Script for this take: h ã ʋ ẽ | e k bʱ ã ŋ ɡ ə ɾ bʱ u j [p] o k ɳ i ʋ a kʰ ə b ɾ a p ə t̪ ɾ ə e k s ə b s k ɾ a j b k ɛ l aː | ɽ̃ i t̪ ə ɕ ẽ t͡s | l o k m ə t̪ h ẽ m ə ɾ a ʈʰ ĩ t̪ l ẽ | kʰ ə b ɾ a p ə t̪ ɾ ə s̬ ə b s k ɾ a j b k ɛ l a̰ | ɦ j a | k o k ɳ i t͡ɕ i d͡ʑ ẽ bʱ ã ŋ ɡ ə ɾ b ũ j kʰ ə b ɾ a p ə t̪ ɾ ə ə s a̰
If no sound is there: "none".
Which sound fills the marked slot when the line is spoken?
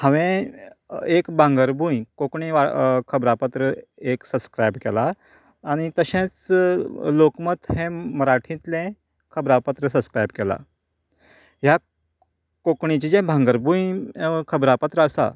k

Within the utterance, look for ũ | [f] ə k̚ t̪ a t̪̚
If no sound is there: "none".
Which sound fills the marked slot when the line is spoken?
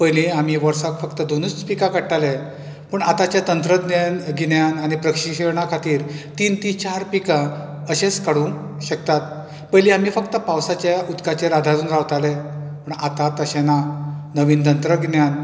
ɕ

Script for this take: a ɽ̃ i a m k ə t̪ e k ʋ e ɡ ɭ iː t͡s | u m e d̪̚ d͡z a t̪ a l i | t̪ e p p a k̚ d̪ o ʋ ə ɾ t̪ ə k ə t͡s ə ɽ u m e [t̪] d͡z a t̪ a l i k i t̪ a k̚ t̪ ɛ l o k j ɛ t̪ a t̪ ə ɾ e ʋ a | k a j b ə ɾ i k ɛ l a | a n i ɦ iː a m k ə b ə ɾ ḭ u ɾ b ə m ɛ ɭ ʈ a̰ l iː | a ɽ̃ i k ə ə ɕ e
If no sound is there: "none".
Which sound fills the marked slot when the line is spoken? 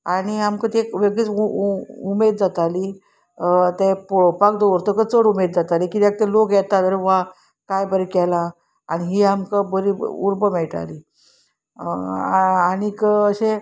d̪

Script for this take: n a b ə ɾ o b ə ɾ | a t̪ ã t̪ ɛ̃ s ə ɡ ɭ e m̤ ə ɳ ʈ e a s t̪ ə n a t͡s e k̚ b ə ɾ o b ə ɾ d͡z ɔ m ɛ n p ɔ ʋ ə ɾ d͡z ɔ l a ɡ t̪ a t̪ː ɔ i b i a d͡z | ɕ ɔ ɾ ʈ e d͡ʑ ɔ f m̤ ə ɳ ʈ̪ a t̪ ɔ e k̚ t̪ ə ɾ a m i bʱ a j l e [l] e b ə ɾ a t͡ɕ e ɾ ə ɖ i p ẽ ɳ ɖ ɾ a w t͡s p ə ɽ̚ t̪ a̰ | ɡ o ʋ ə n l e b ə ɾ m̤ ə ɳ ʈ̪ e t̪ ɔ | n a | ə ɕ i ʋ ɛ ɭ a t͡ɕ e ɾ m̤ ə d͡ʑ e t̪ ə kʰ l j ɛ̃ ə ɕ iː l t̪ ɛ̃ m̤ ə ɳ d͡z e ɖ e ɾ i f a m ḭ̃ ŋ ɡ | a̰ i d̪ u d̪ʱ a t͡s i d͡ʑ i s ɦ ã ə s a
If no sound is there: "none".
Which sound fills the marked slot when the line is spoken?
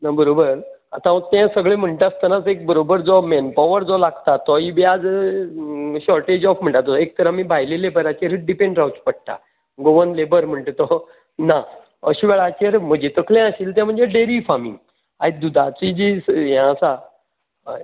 l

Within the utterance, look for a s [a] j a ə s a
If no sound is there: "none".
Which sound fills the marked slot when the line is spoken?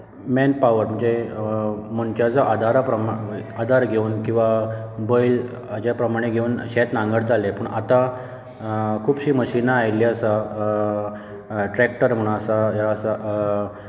a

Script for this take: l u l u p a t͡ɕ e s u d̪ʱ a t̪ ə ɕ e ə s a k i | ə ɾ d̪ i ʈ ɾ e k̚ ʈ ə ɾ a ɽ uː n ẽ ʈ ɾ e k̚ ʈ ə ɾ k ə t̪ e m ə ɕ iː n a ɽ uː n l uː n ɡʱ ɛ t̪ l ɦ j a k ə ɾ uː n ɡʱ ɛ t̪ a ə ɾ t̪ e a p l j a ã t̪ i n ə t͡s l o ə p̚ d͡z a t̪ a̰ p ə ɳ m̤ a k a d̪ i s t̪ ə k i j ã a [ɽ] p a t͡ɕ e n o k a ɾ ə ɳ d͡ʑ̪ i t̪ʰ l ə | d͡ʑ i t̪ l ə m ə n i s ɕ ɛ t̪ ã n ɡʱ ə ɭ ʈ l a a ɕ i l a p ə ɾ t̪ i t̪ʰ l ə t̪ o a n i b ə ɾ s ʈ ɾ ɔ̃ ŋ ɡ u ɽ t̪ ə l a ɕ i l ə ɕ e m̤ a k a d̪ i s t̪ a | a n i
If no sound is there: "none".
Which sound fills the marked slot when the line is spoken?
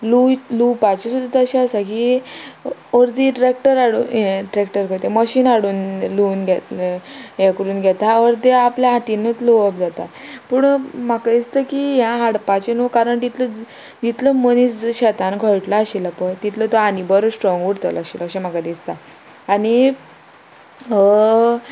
ɽ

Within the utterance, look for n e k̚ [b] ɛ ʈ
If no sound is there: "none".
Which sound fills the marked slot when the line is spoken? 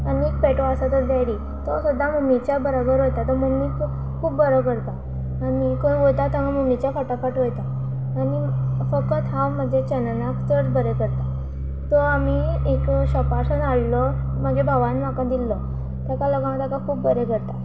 p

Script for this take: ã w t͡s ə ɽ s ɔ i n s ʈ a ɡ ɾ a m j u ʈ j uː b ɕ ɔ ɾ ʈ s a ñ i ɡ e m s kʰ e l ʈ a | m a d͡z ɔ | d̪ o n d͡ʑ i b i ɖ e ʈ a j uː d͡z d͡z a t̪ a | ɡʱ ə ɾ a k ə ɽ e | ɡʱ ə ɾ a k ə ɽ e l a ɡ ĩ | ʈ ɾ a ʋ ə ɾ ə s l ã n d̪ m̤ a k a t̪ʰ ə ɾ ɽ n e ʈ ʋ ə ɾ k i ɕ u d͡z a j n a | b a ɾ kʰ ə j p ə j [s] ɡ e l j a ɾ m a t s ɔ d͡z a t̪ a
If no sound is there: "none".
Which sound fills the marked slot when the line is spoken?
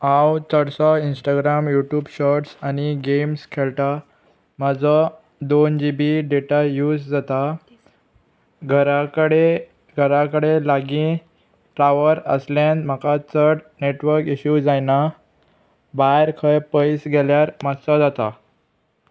s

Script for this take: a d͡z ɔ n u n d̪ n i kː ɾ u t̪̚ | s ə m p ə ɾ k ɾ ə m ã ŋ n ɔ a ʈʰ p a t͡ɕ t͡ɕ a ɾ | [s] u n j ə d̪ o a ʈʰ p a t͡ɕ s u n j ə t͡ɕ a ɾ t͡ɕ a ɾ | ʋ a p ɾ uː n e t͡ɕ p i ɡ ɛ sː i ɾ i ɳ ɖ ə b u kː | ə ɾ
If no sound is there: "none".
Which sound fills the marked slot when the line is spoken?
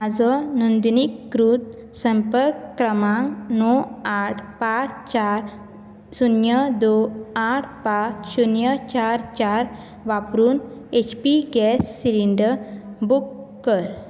s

